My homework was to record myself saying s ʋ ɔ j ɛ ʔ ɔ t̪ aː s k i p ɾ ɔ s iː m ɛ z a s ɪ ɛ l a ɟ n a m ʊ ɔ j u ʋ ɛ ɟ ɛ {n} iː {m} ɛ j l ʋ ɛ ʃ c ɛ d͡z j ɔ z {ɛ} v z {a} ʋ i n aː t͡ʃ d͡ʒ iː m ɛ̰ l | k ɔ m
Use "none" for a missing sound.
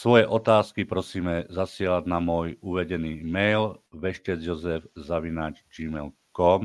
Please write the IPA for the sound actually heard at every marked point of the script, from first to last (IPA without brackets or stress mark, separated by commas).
n, m, ɛ, a